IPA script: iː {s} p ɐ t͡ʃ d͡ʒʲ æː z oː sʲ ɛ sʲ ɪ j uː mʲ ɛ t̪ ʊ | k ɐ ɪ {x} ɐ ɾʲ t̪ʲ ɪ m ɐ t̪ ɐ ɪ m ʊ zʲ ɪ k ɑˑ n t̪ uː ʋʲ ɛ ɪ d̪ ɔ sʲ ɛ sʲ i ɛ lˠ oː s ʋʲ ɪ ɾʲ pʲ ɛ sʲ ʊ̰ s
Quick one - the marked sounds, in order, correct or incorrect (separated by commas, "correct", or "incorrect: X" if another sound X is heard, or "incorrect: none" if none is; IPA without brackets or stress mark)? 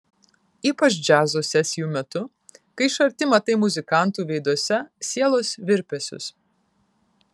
incorrect: none, incorrect: ʃ